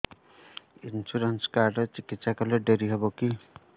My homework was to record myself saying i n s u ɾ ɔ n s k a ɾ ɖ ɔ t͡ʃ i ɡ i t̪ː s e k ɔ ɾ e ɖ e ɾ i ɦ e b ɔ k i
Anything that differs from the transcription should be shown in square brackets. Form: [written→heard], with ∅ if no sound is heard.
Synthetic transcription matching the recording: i n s u ɾ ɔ n s k a ɾ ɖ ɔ t͡ʃ i [ɡ→k] i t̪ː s [e→a] k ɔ [ɾ→l] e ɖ e ɾ i ɦ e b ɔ k i